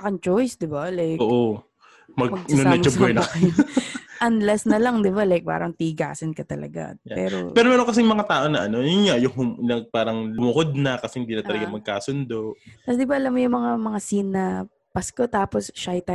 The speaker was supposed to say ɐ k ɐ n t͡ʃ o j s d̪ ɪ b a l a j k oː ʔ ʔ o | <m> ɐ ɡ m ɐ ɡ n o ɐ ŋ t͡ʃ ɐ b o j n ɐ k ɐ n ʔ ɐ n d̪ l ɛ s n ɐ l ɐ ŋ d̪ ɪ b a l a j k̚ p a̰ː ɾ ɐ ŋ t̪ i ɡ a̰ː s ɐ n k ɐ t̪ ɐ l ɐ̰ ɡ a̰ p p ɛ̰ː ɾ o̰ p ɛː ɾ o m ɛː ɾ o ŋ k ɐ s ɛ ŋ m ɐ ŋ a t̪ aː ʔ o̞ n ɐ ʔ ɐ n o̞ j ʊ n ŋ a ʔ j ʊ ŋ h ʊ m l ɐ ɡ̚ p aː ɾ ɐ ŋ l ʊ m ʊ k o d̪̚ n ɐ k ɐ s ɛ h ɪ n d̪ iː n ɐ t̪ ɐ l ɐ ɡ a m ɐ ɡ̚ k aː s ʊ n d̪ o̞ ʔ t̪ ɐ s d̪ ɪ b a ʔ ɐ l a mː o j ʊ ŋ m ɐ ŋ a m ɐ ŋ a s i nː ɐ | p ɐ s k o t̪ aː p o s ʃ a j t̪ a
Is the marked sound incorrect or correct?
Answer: correct